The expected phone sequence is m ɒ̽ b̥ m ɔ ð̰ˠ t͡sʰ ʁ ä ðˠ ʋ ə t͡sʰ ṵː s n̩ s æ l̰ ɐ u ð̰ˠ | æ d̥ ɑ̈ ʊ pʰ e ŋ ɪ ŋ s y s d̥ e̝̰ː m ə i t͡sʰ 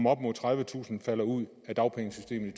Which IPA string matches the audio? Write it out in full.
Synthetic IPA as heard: m ɒ̽ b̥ m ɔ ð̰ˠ t͡sʰ ʁ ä ðˠ ʋ ə t͡sʰ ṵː s n̩ f æ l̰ ɐ u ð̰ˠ | æ d̥ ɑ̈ ʊ pʰ e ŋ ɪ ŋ s y s d̥ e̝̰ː m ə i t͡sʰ